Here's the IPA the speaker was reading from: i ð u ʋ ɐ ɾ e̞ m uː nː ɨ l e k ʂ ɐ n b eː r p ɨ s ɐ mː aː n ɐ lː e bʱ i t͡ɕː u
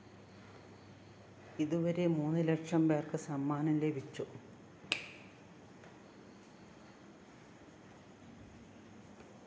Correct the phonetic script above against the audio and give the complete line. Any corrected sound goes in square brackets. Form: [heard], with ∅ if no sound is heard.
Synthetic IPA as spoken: i ð u ʋ ɐ ɾ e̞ m uː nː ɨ l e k ʂ ɐ [m] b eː r [k] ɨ s ɐ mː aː n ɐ [l] e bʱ i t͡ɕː u